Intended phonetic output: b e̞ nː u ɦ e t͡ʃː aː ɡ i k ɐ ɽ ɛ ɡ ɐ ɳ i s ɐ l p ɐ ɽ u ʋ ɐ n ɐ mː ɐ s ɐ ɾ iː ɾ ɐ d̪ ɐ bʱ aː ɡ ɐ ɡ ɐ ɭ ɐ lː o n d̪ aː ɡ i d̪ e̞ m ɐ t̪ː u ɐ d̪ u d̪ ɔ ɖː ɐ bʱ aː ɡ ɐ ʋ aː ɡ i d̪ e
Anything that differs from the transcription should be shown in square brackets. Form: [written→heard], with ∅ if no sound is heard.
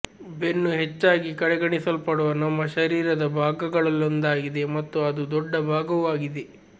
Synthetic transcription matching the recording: b e̞ nː u ɦ e t͡ʃː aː ɡ i k ɐ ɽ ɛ ɡ ɐ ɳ i s ɐ l p ɐ ɽ u ʋ ɐ n ɐ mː ɐ [s→ʃ] ɐ ɾ iː ɾ ɐ d̪ ɐ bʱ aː ɡ ɐ ɡ ɐ ɭ ɐ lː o n d̪ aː ɡ i d̪ e̞ m ɐ t̪ː u ɐ d̪ u d̪ ɔ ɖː ɐ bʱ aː ɡ ɐ ʋ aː ɡ i d̪ e